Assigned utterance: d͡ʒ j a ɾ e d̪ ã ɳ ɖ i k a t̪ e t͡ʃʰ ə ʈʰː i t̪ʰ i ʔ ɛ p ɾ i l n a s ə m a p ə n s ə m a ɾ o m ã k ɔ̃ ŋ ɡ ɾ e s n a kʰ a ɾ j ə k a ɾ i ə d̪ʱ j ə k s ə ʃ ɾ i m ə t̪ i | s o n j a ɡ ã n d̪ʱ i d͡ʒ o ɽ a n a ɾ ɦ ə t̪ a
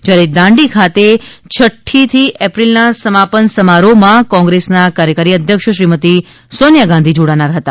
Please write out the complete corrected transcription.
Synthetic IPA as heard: d͡ʒ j a ɾ e d̪ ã ɳ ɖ i kʰ a t̪ e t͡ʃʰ ə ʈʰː i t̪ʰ i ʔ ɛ p ɾ i l n a s ə m a p ə n s ə m a ɾ o m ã k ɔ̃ ŋ ɡ ɾ e s n a k a ɾ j ə k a ɾ i ə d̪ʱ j ə k ʃ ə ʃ ɾ i m ə t̪ i | s o n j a ɡ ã n d̪ʱ i d͡ʒ o ɽ a n a ɾ ɦ ə t̪ a